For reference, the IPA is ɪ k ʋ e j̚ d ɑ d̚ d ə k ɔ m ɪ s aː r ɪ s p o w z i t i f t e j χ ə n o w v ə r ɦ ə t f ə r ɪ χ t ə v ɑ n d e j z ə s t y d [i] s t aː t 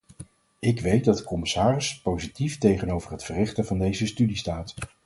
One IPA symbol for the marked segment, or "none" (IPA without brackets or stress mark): i